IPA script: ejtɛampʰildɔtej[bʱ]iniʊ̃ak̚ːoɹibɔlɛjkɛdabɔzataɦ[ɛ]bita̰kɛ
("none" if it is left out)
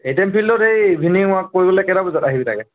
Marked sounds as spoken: bʱ, i

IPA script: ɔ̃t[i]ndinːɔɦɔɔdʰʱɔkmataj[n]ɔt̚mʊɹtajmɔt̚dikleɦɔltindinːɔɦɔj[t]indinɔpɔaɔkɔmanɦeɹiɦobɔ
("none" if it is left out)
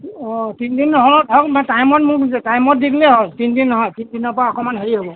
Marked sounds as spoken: i, m, t

